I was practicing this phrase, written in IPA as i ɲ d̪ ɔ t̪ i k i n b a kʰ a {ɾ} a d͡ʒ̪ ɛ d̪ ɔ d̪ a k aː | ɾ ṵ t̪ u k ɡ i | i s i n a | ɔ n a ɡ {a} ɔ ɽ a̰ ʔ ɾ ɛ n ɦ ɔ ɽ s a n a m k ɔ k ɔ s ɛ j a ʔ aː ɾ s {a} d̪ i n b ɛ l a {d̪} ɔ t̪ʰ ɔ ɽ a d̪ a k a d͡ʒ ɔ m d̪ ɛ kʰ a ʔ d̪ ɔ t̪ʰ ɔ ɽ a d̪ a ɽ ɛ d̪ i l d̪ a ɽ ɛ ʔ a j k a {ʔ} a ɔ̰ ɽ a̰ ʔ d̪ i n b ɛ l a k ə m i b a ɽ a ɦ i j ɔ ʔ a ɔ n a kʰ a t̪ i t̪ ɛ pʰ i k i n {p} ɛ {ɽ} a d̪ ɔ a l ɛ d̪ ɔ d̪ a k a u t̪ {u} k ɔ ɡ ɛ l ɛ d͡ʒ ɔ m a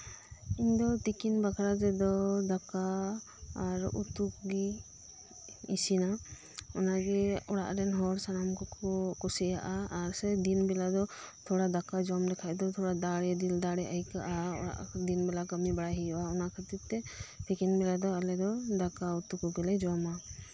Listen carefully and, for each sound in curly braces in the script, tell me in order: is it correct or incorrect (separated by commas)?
correct, incorrect, incorrect, correct, correct, incorrect, incorrect, correct